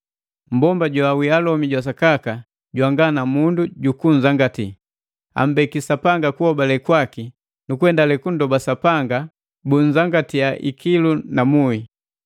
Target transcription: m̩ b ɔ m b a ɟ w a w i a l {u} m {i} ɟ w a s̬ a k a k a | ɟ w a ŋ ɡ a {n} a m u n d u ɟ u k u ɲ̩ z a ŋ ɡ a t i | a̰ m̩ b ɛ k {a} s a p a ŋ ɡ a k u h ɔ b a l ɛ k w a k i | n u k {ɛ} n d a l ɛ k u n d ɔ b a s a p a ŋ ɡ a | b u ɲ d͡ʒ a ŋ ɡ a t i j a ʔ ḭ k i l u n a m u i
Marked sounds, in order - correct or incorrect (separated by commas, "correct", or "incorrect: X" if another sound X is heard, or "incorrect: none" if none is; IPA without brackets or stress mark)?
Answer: incorrect: ɔ, correct, correct, incorrect: i, correct